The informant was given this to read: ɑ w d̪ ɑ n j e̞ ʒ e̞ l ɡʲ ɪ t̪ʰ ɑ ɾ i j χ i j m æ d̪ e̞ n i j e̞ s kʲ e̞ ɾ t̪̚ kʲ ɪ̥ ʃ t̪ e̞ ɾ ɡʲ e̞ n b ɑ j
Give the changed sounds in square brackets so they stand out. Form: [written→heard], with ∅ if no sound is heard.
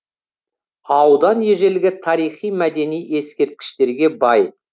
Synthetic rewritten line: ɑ w d̪ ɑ n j e̞ ʒ e̞ l ɡʲ ɪ t̪ʰ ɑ ɾ i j χ i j m æ d̪ e̞ n i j e̞ s kʲ e̞ ɾ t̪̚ kʲ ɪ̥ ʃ t̪ e̞ ɾ ɡʲ e̞ [n→∅] b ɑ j

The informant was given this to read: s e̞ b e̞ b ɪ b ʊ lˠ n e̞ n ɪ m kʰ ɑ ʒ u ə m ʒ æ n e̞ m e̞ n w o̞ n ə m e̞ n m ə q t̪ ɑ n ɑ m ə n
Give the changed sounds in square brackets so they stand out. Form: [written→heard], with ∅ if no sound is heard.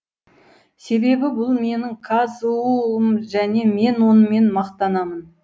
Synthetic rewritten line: s e̞ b e̞ b ɪ b ʊ lˠ [n→m] e̞ n ɪ [m→ŋ] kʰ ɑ [ʒ→z] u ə m ʒ æ n e̞ m e̞ n w o̞ n ə m e̞ n m [ə→ɑ] q t̪ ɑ n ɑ m ə n

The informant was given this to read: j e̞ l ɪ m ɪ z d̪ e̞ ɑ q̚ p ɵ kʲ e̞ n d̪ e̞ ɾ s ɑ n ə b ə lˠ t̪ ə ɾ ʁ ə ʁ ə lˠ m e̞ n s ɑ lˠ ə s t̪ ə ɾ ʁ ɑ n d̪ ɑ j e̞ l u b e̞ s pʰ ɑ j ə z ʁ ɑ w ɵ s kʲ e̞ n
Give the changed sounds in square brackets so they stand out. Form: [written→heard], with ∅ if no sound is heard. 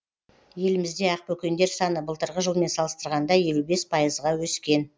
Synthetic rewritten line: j e̞ l ɪ m ɪ z d̪ e̞ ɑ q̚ p ɵ kʲ e̞ n d̪ e̞ ɾ s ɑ n ə b ə lˠ t̪ ə ɾ ʁ ə [ʁ→ʒ] ə lˠ m e̞ n s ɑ lˠ ə s t̪ ə ɾ ʁ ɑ n d̪ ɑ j e̞ l u b e̞ s pʰ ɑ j ə z ʁ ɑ w ɵ s kʲ e̞ n

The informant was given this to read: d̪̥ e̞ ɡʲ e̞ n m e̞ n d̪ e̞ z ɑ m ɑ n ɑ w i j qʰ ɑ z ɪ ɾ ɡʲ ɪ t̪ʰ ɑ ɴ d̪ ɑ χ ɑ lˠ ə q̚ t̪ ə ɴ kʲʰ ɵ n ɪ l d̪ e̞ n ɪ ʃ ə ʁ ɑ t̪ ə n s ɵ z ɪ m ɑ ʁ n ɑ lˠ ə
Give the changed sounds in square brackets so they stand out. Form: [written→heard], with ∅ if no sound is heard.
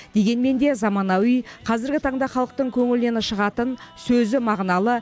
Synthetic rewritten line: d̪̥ e̞ ɡʲ e̞ n m e̞ n d̪ e̞ z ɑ m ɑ n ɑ w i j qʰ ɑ z ɪ ɾ ɡʲ ɪ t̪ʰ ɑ ɴ d̪ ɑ χ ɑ lˠ ə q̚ t̪ ə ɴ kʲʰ ɵ [n→ŋ] ɪ l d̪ e̞ n ɪ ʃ ə ʁ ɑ t̪ ə n s ɵ z ɪ m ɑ ʁ n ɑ lˠ ə

